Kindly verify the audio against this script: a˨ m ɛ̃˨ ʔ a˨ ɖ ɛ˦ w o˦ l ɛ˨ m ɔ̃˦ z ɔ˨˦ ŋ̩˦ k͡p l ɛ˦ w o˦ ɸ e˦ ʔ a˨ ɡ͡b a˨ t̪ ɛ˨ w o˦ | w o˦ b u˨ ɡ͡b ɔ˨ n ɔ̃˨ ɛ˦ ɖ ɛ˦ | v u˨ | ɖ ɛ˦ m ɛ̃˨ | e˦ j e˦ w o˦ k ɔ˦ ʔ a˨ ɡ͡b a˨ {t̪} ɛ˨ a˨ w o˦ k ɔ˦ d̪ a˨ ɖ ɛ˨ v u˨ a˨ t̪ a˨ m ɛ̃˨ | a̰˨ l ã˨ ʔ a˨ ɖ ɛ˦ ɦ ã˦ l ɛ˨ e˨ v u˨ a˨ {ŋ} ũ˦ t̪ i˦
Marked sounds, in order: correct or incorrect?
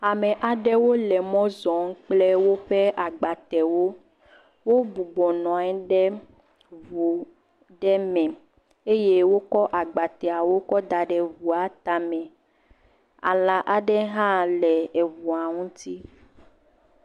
correct, correct

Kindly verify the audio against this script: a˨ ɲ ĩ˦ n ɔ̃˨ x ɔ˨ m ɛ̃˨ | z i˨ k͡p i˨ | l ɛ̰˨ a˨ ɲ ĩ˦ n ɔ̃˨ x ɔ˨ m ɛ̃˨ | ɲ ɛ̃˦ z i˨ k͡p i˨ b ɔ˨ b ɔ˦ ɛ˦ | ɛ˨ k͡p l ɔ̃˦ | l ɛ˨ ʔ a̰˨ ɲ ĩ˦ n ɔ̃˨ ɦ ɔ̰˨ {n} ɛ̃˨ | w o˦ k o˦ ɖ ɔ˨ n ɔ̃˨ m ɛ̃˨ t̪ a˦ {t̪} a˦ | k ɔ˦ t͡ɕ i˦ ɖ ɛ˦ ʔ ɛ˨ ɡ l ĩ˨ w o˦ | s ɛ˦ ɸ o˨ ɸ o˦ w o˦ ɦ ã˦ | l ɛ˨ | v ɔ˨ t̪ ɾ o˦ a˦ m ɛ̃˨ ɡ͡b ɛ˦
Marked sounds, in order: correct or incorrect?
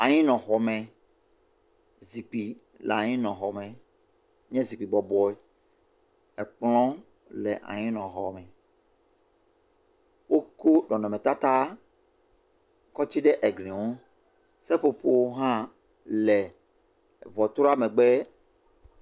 incorrect: m, correct

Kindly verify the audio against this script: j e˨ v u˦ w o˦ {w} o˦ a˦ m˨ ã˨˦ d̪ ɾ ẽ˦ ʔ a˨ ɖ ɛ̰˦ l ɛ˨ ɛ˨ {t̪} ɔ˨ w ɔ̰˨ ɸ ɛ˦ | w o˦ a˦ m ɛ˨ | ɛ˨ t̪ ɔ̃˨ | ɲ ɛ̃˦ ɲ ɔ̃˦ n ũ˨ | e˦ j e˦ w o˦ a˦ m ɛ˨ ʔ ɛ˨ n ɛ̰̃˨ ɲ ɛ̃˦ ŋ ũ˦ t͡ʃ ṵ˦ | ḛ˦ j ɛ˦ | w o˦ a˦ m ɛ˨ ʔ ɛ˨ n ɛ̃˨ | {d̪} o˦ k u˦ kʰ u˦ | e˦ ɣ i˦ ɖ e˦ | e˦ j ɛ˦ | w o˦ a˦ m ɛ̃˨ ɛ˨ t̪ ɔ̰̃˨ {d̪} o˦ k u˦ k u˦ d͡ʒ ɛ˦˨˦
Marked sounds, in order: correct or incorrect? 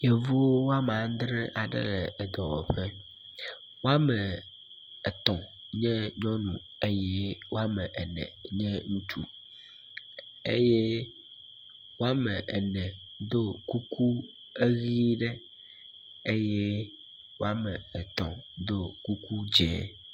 correct, incorrect: d̪, correct, correct

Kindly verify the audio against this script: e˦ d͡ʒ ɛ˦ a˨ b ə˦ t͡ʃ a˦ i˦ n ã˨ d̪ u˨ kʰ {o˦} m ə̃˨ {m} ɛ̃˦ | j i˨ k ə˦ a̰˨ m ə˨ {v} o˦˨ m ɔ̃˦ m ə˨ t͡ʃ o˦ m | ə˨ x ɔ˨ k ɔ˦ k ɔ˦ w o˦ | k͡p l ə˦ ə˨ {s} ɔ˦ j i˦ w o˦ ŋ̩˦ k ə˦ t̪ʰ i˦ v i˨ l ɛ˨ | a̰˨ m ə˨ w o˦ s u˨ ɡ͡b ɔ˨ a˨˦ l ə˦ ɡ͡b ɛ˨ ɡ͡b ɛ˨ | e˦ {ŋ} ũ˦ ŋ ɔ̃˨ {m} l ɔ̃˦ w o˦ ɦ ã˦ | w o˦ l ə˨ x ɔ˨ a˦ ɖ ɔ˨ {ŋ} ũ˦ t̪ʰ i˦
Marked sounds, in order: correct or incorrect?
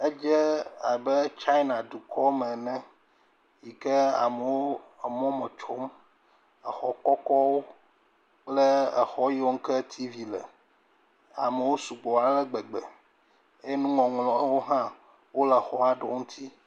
incorrect: ɔ˦, incorrect: n, incorrect: w, incorrect: x, incorrect: n, incorrect: ŋ, correct

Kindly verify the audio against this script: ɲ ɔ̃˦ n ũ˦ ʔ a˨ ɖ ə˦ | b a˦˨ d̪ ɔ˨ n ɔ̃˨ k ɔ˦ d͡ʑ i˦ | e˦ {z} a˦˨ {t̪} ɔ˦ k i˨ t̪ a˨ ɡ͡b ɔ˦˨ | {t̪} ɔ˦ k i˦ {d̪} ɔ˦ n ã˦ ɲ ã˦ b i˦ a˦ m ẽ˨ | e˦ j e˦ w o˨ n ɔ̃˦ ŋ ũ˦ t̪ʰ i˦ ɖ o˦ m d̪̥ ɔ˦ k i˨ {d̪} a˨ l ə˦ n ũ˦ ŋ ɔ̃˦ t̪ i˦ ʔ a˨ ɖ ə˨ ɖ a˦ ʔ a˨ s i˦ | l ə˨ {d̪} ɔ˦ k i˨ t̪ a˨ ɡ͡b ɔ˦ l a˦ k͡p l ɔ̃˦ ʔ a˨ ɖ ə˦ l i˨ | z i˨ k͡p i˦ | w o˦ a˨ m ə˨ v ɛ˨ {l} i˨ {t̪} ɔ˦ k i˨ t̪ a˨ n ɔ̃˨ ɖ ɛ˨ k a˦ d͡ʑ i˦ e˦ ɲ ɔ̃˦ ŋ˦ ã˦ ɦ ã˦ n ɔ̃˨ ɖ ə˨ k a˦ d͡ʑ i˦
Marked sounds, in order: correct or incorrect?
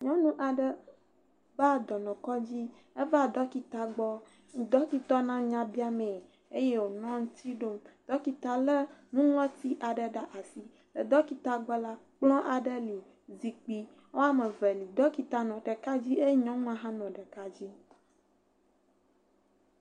incorrect: v, incorrect: d̪, incorrect: d̪, incorrect: t̪, incorrect: t̪, correct, correct, incorrect: d̪

